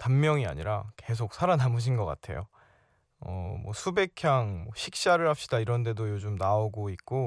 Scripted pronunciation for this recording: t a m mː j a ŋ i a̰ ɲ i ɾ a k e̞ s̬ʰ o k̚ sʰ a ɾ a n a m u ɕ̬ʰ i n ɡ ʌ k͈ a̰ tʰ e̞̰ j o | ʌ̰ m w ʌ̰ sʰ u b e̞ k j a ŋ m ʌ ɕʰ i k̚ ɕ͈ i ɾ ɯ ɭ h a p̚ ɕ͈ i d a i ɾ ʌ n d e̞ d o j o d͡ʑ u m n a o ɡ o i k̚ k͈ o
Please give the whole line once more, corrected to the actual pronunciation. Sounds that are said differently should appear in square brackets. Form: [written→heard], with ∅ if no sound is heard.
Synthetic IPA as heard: t a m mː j [a→ʌ] ŋ i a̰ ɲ i ɾ a k e̞ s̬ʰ o k̚ sʰ a ɾ a n a m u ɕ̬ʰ i n ɡ ʌ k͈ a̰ tʰ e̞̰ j o | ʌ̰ m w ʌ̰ sʰ u b e̞ [k→kʰ] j a ŋ m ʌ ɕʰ i k̚ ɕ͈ [i→a] ɾ ɯ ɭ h a p̚ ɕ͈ i d a i ɾ ʌ n d e̞ d o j o d͡ʑ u m n a o ɡ o i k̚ k͈ o